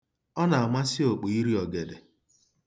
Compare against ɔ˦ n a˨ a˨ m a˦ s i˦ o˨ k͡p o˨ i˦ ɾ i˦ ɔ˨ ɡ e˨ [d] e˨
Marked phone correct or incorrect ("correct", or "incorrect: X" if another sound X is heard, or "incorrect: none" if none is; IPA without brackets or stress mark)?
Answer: correct